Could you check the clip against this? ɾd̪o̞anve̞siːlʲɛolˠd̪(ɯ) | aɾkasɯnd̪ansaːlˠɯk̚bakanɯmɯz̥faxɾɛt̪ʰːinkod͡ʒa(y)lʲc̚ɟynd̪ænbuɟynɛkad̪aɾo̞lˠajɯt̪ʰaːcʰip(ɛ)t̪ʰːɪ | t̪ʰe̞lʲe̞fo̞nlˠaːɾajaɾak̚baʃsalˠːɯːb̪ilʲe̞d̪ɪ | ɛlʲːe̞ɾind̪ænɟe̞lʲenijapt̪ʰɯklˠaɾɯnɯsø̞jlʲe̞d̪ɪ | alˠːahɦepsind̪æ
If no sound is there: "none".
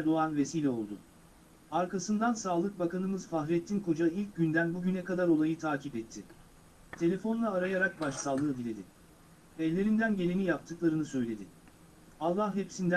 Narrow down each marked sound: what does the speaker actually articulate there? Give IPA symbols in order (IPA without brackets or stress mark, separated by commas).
ʊ, i, ɛ